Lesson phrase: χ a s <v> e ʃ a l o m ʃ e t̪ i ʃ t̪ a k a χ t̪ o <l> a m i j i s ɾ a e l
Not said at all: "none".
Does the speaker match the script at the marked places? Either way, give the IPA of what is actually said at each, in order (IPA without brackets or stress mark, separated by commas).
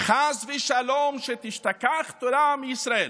v, ɾ